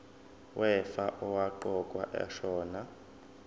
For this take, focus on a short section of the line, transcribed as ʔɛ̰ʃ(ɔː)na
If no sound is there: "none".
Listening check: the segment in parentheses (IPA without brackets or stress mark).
ɔː